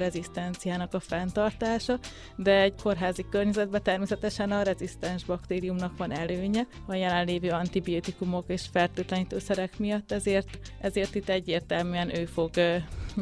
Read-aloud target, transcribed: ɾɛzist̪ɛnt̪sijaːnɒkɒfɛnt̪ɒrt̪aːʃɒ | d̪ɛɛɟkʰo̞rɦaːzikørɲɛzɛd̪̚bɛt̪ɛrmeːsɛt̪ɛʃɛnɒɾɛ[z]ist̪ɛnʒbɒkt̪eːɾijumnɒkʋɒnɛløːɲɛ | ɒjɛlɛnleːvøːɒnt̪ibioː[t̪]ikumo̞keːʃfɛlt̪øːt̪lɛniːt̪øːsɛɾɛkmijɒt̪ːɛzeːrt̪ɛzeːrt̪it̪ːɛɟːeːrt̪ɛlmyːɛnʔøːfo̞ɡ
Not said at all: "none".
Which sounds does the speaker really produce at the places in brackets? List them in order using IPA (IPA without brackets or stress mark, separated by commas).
z, t̪